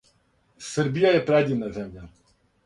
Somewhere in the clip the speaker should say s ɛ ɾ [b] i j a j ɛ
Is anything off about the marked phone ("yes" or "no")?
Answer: no